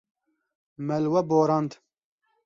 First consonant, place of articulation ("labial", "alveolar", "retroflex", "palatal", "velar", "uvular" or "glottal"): labial